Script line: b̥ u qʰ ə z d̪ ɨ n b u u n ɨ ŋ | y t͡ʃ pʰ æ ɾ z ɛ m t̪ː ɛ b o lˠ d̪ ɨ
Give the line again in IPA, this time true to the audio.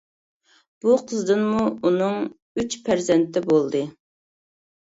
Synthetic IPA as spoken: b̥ u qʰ ə z d̪ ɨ n m u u n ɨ ŋ | y t͡ʃ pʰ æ ɾ z ɛ n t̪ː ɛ b o lˠ d̪ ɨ

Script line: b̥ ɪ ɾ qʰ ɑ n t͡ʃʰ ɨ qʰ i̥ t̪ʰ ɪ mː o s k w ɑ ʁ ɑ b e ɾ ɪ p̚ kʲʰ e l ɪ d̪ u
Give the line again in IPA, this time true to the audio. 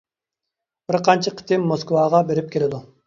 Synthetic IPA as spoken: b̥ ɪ ɾ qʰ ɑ n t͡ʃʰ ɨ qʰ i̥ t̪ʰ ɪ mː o s k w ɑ ʁ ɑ b e ɾ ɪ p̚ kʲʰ e l ɪ d̪ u

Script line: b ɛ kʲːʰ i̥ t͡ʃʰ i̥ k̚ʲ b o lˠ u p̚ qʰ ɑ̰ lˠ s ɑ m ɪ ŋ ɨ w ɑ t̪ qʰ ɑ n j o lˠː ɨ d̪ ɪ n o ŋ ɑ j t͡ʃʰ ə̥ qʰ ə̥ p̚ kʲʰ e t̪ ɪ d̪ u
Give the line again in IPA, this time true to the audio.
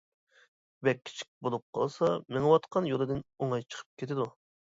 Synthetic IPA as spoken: b ɛ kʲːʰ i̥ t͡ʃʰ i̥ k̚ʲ b o lˠ u p̚ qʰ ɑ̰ lˠ s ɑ m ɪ ŋ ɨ w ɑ t̪ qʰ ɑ n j o lˠ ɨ d̪ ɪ n o ŋ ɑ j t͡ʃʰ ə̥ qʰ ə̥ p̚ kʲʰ e t̪ ɪ d̪ u

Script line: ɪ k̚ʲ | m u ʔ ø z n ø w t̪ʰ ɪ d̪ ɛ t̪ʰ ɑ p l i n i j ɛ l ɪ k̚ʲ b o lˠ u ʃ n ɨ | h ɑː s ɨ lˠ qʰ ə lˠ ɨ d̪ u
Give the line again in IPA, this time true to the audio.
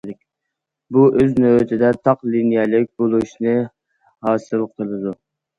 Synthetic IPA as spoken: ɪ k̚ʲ | b u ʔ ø z n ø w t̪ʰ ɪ d̪ ɛ t̪ʰ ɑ q l i n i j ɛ l ɪ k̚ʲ b o lˠ u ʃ n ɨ | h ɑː s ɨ lˠ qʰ ə lˠ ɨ d̪ u

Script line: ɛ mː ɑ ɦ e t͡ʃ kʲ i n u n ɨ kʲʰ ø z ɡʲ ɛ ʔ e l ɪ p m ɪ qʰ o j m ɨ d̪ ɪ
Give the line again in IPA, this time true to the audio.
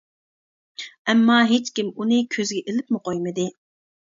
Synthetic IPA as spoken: ɛ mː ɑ ɦ e t͡ʃ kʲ i m u n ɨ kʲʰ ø z ɡʲ ɛ ʔ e l ɪ p m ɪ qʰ o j m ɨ d̪ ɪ

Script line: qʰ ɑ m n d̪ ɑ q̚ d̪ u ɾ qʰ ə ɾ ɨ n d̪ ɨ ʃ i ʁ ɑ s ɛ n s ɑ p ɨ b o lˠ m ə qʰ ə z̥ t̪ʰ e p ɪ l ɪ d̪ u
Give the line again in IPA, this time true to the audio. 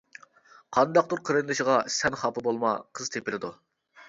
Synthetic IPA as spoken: qʰ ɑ n d̪ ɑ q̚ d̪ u ɾ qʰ ə ɾ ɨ n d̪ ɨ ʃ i ʁ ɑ s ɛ n χ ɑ p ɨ b o lˠ m ɑ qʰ ə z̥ t̪ʰ e p ɪ l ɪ d̪ u

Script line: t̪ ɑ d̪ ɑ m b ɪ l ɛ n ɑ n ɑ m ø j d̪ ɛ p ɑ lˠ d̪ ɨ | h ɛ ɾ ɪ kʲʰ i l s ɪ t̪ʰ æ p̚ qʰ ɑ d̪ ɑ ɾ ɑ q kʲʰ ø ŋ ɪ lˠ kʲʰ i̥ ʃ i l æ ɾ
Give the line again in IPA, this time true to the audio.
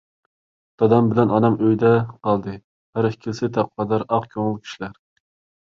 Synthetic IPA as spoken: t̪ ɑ d̪ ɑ m b ɪ l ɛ n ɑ n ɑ m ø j d̪ ɛ q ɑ lˠ d̪ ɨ | h æ ɾ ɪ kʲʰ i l s ɪ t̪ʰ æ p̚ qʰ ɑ d̪ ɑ ɾ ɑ q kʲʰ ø ŋ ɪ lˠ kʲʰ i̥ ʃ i l æ ɾ

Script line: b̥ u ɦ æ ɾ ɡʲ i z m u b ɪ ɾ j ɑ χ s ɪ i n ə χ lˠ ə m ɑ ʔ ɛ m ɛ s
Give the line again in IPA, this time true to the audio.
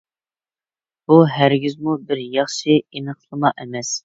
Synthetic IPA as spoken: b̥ u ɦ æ ɾ ɡʲ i z m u b ɪ ɾ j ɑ χ ʃ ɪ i n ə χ lˠ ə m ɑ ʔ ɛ m ɛ s

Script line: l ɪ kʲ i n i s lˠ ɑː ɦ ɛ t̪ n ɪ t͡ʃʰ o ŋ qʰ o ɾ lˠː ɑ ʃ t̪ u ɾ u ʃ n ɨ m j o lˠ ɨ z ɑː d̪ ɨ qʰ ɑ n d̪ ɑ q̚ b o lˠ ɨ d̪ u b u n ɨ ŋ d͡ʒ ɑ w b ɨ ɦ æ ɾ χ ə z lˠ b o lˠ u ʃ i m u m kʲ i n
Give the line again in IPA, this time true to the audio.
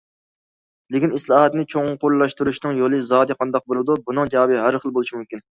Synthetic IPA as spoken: l ɪ kʲ i n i s lˠ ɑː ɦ ɛ t̪ n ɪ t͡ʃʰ o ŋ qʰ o ɾ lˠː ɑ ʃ t̪ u ɾ u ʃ n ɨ ŋ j o lˠ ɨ z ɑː d̪ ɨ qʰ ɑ n d̪ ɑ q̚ b o lˠ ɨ d̪ u b u n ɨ ŋ d͡ʒ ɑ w b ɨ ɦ æ ɾ χ ə lˠ b o lˠ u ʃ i m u m kʲ i n

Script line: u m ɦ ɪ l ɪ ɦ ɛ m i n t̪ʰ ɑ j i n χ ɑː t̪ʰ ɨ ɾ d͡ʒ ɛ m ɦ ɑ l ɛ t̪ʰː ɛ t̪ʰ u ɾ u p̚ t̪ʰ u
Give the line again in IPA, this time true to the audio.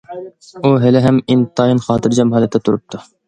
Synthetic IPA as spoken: u ɦ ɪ l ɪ ɦ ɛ m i n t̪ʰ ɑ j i n χ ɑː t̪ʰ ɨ ɾ d͡ʒ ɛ m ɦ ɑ l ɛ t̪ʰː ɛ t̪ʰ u ɾ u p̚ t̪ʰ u

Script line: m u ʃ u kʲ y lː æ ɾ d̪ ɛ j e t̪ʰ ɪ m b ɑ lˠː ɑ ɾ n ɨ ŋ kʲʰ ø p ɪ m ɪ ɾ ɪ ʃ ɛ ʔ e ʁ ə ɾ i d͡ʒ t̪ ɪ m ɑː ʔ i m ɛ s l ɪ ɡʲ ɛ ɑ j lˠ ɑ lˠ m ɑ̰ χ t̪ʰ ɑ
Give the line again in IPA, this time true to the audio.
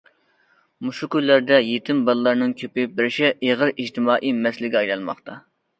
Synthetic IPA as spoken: m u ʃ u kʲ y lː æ ɾ d̪ ɛ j e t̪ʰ ɪ m b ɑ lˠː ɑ ɾ n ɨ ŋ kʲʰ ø p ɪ b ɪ ɾ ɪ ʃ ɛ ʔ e ʁ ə ɾ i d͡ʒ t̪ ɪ m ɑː ʔ i m ɛ s l ɪ ɡʲ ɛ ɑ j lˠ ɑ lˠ m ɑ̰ χ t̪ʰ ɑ

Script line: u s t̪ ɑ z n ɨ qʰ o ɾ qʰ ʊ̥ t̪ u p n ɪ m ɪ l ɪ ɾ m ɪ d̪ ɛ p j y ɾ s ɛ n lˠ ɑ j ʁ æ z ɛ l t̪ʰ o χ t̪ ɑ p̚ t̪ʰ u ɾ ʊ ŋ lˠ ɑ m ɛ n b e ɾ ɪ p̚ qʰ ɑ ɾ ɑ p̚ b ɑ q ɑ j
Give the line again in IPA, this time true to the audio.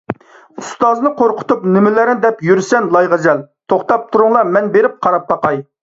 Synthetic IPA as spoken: u s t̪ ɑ z n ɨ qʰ o ɾ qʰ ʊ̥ t̪ u p n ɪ m ɪ l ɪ ɾ n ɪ d̪ ɛ p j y ɾ s ɛ n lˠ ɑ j ʁ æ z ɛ l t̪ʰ o χ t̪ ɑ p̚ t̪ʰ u ɾ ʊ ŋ lˠ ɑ m ɛ n b e ɾ ɪ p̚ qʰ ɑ ɾ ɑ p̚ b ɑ q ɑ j

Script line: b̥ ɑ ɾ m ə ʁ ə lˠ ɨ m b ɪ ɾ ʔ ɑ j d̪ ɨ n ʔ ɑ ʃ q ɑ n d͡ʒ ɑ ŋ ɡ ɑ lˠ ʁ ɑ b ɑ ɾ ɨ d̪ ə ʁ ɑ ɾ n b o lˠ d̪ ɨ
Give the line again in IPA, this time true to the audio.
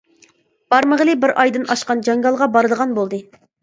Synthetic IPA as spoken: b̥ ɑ ɾ m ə ʁ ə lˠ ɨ b ɪ ɾ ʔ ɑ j d̪ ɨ n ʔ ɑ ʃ q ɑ n d͡ʒ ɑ ŋ ɡ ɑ lˠ ʁ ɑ b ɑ ɾ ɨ d̪ ə ʁ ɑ n b o lˠ d̪ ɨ

